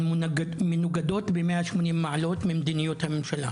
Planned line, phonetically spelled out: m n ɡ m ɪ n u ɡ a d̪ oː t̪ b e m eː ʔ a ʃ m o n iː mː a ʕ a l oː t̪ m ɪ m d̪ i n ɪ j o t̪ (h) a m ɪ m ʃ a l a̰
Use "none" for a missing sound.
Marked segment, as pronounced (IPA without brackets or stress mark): h